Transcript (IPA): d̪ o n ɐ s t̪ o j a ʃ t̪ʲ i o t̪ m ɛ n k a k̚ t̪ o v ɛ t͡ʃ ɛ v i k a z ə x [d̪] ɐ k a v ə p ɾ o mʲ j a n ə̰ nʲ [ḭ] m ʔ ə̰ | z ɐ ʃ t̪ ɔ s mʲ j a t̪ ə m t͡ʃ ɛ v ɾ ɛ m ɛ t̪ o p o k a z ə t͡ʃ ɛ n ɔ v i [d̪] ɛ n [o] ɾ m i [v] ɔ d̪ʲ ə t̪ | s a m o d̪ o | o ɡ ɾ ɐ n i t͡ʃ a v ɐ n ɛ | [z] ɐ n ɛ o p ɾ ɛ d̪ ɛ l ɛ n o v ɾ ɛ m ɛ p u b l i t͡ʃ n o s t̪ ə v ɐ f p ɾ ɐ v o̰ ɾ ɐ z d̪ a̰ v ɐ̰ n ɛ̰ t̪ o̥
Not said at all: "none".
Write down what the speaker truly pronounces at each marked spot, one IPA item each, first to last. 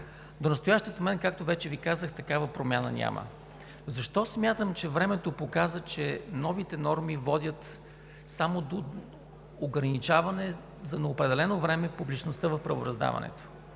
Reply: t̪, a̰, t̪, ɔ, v, z

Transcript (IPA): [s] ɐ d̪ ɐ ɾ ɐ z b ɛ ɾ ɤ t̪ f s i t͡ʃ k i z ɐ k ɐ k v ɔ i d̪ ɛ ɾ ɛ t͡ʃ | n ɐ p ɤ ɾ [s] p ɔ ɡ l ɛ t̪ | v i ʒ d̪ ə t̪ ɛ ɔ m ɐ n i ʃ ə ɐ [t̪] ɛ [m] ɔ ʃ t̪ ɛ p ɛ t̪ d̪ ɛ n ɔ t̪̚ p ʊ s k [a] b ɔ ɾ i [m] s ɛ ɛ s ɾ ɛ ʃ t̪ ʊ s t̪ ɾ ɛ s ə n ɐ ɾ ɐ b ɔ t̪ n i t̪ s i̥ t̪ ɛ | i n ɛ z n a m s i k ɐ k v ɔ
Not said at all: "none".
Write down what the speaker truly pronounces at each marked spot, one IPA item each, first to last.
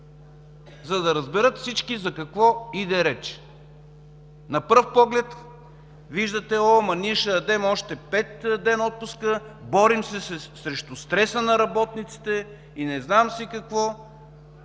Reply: z, f, d̪, m, ə, m

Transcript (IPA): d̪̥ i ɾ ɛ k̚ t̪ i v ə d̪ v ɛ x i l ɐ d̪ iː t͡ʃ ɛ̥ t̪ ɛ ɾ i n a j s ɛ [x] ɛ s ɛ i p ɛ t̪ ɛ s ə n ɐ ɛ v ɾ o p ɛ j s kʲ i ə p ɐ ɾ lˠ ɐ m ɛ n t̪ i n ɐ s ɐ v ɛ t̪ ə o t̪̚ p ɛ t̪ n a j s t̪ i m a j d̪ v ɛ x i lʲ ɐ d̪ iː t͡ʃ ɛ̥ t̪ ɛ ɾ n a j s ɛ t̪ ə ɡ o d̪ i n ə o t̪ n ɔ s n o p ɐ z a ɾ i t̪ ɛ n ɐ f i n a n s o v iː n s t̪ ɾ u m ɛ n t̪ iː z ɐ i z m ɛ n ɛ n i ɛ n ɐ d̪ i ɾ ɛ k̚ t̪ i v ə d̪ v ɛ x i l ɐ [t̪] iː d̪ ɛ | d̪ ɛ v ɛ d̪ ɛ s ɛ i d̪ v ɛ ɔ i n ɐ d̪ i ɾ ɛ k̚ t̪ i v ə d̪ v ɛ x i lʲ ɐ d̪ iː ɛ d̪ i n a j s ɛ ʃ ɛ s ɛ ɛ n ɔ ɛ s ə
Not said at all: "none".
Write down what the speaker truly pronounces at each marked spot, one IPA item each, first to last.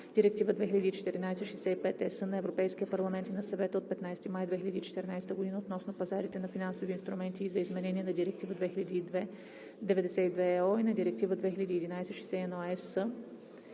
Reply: ʃ, d̪

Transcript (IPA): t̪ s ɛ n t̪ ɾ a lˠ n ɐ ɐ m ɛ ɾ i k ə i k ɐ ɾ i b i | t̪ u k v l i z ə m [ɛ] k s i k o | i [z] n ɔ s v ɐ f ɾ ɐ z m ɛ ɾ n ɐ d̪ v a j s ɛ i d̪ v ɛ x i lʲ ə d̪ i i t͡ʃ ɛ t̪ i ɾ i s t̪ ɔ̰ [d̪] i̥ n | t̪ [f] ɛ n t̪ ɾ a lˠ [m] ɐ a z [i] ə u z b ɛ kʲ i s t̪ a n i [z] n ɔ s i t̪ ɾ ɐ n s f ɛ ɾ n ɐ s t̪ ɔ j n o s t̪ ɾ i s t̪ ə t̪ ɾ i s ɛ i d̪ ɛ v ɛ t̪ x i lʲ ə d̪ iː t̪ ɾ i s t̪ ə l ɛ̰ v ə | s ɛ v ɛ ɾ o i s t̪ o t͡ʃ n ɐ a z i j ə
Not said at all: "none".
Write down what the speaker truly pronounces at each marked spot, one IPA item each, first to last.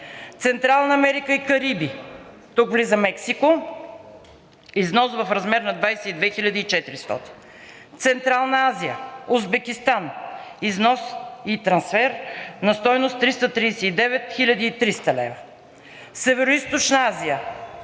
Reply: ɛ, z, t̪, s, n, i, z

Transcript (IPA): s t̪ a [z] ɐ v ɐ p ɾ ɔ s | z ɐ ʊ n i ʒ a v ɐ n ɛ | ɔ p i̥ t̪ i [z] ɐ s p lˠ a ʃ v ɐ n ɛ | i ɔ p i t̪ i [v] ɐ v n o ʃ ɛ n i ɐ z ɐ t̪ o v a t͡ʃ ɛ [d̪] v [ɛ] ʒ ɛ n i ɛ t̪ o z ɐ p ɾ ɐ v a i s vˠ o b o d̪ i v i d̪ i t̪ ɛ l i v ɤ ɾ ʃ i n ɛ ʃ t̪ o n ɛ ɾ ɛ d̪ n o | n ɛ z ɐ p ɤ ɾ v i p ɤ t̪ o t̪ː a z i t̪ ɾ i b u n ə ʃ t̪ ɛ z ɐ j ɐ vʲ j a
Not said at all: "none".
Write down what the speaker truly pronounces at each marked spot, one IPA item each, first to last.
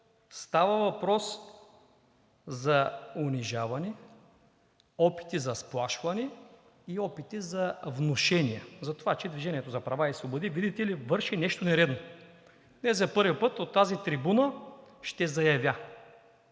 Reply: v, z, z, d̪, i

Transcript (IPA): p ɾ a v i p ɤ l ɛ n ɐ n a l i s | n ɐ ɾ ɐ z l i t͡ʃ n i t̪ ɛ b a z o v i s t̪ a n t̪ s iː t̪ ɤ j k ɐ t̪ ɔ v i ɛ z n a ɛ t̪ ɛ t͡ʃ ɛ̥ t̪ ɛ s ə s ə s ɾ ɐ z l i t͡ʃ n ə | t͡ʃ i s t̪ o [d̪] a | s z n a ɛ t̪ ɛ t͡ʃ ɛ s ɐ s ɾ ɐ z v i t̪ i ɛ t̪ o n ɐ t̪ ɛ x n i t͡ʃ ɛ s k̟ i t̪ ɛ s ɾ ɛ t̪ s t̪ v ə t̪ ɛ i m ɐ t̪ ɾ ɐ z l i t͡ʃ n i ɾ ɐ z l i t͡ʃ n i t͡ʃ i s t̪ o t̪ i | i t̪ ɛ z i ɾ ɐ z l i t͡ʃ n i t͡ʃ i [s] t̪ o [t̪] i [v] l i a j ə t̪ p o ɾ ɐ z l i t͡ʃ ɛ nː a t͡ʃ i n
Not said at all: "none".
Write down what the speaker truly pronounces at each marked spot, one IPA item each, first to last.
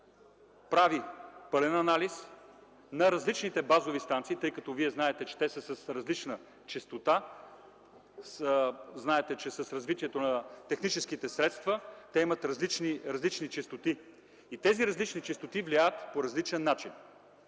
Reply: t̪, s, t̪, v

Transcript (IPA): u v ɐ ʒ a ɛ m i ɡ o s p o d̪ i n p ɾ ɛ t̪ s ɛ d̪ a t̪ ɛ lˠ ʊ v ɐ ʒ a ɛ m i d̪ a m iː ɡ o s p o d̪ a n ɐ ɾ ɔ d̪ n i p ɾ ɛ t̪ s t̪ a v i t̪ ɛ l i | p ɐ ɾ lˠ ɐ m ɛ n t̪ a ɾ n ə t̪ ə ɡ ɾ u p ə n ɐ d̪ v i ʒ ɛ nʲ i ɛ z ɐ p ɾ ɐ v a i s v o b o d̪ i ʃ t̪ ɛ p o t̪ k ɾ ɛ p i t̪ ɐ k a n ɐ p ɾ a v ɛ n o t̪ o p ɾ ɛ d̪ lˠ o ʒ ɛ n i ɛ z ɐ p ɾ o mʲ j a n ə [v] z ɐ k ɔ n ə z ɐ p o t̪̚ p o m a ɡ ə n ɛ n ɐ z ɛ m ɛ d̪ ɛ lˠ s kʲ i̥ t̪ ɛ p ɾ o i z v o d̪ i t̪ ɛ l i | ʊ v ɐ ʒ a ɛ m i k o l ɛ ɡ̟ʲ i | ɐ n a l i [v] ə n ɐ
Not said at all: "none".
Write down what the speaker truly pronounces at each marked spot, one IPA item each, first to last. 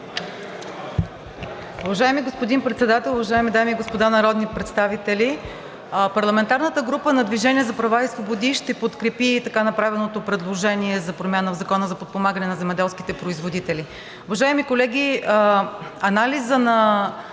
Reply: v, z

